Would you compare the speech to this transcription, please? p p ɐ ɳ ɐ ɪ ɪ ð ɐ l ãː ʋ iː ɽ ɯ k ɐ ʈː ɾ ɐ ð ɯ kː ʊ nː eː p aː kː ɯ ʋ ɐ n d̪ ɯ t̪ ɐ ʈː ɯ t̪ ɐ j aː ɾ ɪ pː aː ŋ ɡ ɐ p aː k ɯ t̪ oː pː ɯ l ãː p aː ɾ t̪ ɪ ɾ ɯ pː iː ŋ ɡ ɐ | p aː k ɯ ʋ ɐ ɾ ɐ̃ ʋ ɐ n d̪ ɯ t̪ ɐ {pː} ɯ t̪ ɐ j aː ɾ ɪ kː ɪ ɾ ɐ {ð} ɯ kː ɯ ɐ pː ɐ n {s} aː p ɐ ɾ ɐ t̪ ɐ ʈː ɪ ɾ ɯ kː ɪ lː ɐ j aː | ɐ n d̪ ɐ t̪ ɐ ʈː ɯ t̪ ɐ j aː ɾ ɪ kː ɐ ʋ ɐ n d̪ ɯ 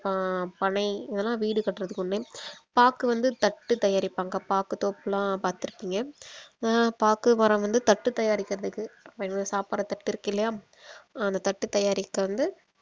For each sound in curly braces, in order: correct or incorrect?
incorrect: ʈː, correct, correct

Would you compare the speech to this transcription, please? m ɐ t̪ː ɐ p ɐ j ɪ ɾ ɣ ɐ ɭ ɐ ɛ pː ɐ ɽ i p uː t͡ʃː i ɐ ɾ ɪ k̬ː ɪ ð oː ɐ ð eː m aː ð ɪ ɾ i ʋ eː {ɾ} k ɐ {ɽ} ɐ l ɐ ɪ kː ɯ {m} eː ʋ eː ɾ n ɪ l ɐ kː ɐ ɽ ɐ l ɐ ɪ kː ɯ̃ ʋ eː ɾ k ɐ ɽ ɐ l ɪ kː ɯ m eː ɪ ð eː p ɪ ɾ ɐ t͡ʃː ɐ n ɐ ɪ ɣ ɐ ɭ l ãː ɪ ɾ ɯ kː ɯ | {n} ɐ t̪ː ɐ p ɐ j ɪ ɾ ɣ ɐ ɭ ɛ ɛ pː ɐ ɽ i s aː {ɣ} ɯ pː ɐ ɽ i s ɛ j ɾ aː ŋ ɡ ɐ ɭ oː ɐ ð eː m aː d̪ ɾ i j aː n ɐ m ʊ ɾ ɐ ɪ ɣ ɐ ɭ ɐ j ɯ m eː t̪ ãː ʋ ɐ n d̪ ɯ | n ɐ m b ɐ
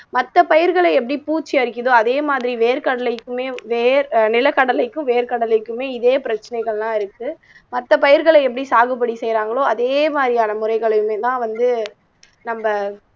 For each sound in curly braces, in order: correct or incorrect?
correct, correct, correct, incorrect: m, correct

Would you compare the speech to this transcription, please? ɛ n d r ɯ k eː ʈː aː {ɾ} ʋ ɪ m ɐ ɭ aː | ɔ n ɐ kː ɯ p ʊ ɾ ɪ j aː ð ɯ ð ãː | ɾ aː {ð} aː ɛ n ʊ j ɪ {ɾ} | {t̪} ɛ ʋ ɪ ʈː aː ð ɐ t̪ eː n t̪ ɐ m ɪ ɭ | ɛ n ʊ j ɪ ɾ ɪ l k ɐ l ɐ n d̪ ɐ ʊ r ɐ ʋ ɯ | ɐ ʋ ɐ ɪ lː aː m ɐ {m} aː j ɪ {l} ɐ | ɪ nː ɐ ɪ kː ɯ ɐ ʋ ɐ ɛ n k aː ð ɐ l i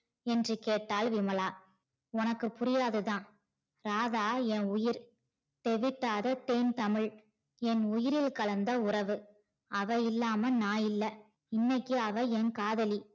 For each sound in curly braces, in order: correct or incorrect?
incorrect: l, correct, correct, correct, incorrect: n, incorrect: lː

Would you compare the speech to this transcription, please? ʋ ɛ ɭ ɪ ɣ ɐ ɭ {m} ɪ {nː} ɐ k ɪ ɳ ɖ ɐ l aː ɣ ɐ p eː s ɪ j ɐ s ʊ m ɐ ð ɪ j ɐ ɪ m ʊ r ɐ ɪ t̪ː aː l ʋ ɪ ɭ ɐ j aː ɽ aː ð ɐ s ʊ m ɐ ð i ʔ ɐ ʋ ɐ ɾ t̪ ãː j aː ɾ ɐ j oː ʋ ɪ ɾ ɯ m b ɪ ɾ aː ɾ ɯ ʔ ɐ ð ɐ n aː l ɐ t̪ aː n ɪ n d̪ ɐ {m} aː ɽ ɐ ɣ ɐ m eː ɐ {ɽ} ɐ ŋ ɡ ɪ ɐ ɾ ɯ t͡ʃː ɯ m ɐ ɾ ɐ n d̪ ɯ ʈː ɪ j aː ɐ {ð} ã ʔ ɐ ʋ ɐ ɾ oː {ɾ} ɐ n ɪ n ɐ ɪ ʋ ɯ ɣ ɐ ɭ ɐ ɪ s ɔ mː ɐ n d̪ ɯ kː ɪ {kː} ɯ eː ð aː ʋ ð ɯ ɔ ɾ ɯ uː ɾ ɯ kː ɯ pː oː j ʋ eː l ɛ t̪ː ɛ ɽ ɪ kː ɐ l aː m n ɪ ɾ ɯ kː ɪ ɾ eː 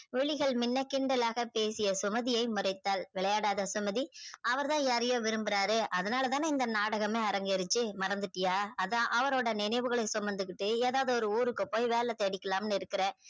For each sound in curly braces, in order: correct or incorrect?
correct, correct, incorrect: n, incorrect: ɾ, correct, incorrect: ɽ, incorrect: ʈː

